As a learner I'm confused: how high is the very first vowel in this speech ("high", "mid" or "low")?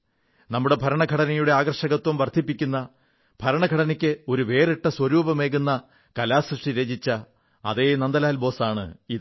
low